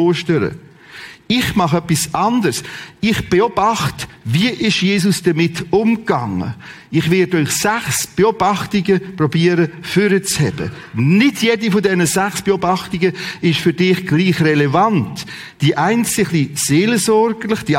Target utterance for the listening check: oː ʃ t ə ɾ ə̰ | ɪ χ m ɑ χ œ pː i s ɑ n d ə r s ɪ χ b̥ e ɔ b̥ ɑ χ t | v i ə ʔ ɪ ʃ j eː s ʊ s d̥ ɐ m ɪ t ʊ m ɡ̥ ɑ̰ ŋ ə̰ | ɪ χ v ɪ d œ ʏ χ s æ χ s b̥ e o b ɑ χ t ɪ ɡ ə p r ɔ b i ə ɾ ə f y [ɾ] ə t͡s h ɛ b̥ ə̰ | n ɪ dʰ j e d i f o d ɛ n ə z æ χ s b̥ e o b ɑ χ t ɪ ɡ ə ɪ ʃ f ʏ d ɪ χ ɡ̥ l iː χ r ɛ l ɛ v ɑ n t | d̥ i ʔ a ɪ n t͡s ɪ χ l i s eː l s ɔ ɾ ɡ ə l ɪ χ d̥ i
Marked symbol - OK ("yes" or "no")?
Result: yes